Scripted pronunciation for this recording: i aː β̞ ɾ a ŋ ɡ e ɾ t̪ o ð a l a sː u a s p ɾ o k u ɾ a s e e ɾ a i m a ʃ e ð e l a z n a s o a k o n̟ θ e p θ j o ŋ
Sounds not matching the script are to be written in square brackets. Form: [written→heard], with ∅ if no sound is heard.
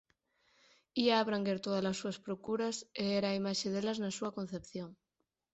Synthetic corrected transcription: i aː β̞ ɾ a ŋ ɡ e ɾ t̪ o ð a l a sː u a s p ɾ o k u ɾ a s e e ɾ a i m a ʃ e ð e l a z n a s [o→u] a k o n̟ θ e p θ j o ŋ